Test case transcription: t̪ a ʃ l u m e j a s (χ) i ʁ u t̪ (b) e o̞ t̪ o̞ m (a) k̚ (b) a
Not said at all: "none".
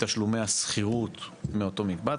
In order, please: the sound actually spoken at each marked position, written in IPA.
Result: χ, m, i, b

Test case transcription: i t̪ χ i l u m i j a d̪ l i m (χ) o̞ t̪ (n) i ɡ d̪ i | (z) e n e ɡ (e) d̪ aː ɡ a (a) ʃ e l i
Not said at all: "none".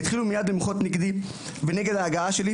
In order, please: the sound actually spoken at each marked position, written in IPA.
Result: χ, n, v, e, a

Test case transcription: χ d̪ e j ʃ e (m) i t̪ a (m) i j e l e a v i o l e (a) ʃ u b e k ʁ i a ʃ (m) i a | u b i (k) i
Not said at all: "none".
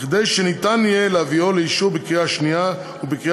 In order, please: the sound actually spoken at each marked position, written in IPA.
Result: n, n, i, n, k

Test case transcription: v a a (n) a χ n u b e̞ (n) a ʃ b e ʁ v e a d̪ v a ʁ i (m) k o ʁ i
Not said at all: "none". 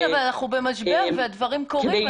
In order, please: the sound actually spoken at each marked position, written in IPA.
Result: n, m, m

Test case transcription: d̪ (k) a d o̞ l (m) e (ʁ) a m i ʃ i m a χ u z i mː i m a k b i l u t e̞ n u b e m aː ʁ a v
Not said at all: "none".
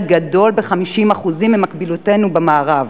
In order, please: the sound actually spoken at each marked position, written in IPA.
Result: ɡ, b, χ

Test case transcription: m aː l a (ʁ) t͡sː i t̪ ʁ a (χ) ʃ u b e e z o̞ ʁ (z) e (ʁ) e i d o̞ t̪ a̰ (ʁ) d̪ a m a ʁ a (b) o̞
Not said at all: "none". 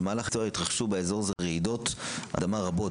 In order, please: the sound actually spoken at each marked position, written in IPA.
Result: χ, χ, z, ʁ, none, b

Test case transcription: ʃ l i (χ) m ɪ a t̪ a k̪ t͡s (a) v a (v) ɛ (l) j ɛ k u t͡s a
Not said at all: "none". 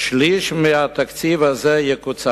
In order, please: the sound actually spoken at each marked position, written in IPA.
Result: ʃ, i, z, none

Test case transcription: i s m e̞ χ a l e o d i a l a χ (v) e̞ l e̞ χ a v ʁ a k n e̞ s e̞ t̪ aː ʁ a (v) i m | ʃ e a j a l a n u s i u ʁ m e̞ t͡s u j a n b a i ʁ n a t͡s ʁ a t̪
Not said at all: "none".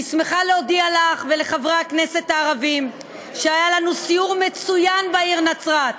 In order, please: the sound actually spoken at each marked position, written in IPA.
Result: v, v

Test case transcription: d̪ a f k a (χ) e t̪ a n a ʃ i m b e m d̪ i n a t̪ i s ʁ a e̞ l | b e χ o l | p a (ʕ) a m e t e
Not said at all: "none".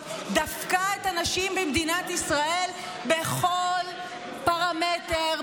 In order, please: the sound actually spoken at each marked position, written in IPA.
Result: none, ʁ

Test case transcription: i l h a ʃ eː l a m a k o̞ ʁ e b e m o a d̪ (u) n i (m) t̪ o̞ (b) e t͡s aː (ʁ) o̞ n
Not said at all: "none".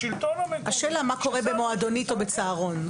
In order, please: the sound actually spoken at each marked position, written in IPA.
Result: o, none, b, ʁ

